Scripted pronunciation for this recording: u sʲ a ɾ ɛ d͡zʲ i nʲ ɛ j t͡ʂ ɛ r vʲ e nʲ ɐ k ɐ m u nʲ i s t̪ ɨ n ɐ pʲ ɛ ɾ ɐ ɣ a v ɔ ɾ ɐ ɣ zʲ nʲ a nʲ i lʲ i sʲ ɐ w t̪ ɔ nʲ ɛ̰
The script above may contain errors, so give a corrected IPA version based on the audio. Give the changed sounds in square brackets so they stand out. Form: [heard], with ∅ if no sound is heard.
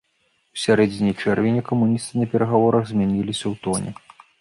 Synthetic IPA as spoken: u sʲ a ɾ ɛ d͡zʲ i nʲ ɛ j t͡ʂ ɛ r vʲ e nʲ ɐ k ɐ m u nʲ i s t̪ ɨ n ɐ pʲ ɛ ɾ ɐ ɣ a v ɔ ɾ ɐ ɣ zʲ [mʲ] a nʲ i lʲ i sʲ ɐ w t̪ ɔ nʲ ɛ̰

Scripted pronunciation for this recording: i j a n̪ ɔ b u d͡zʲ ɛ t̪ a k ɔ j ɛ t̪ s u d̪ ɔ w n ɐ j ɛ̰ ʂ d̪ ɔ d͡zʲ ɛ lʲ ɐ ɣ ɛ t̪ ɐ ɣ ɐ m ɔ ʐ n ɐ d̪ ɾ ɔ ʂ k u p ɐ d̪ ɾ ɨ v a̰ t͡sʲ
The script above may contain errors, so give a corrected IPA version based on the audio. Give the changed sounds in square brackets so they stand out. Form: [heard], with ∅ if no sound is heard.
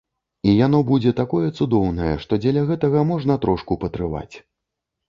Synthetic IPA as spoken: i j a n̪ ɔ b u d͡zʲ ɛ t̪ a k ɔ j ɛ t̪ s u d̪ ɔ w n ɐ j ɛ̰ ʂ [t̪] ɔ d͡zʲ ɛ lʲ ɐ ɣ ɛ t̪ ɐ ɣ ɐ m ɔ ʐ n ɐ [t̪] ɾ ɔ ʂ k u p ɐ [t̪] ɾ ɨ v a̰ t͡sʲ

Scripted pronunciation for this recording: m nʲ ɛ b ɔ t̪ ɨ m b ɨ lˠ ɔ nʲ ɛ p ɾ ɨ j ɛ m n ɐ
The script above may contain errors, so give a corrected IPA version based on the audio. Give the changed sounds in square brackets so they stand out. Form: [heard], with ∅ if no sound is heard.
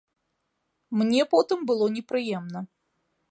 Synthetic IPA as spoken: m nʲ ɛ [p] ɔ t̪ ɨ m b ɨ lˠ ɔ nʲ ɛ p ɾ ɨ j ɛ m n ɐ

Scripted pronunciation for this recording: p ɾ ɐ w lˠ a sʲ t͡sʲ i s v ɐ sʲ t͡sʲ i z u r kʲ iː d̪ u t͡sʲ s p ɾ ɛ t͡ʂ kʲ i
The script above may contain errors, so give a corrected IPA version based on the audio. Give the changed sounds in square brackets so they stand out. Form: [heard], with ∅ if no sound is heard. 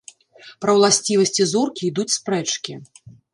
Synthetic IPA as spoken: p ɾ ɐ w lˠ a sʲ t͡sʲ i [∅] v ɐ sʲ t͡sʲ i z u r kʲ iː d̪ u t͡sʲ s p ɾ ɛ t͡ʂ kʲ i

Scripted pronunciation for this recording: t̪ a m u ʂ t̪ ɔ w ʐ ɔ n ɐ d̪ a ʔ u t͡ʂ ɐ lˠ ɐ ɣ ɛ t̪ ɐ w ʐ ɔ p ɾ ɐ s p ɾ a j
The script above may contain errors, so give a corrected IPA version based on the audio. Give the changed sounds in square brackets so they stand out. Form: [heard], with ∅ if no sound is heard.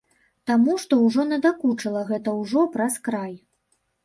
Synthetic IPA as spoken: t̪ a m u ʂ t̪ ɔ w ʐ ɔ n ɐ d̪ a [k] u t͡ʂ ɐ lˠ ɐ ɣ ɛ t̪ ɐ w ʐ ɔ p ɾ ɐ s [k] ɾ a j

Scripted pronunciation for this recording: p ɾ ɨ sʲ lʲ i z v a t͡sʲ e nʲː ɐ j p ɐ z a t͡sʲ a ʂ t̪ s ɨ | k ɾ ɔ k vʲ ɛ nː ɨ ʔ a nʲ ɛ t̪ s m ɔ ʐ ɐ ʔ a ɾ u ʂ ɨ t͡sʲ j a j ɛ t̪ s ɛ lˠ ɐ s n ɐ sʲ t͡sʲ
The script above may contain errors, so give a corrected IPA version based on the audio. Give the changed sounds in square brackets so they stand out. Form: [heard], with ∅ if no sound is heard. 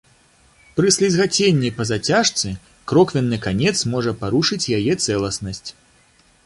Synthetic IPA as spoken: p ɾ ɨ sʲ lʲ i z [ɣ] a t͡sʲ e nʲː ɐ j p ɐ z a t͡sʲ a ʂ t̪ s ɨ | k ɾ ɔ k vʲ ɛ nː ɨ [k] a nʲ ɛ t̪ s m ɔ ʐ ɐ [p] a ɾ u ʂ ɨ t͡sʲ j a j ɛ t̪ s ɛ lˠ ɐ s n ɐ sʲ t͡sʲ

